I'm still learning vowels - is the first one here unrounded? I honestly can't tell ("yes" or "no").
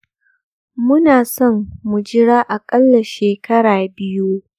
no